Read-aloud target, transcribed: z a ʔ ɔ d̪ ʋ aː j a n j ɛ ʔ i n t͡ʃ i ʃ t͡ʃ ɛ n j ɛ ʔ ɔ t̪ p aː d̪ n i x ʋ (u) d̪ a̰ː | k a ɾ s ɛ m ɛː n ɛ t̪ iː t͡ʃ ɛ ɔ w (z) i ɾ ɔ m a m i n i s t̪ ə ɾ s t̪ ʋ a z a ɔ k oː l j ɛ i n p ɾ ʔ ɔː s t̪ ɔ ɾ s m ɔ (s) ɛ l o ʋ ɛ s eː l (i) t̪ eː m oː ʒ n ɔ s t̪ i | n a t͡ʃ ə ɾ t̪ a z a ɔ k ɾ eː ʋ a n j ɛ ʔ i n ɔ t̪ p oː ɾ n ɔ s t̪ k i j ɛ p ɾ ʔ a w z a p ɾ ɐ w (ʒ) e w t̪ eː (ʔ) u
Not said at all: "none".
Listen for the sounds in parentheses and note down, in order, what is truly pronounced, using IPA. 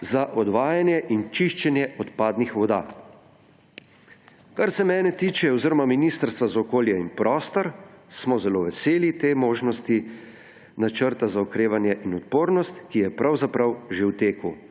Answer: ɔ, z, z, i, ʒ, k

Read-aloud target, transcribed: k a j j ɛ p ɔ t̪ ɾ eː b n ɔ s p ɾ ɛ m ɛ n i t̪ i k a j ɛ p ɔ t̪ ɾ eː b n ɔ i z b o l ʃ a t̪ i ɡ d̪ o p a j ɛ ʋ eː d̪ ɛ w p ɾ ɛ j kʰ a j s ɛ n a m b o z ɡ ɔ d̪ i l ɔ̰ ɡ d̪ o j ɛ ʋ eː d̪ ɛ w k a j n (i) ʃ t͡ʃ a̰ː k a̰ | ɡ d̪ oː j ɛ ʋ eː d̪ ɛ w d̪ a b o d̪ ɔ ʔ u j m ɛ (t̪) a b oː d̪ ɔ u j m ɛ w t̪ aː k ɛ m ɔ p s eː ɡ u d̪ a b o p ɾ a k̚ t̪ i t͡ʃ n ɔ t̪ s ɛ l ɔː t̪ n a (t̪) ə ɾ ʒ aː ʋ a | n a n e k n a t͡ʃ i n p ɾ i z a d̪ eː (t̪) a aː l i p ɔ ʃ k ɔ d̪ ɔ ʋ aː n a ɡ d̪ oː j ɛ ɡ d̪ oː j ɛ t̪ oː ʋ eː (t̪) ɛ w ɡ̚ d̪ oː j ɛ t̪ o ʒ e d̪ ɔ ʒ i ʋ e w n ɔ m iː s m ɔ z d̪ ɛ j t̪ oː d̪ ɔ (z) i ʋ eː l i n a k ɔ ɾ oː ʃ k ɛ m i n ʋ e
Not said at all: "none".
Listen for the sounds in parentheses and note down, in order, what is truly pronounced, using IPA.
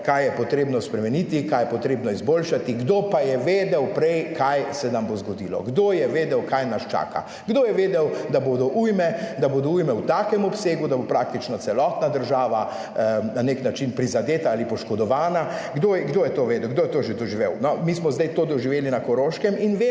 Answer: a, d̪, d̪, t̪, d̪, ʒ

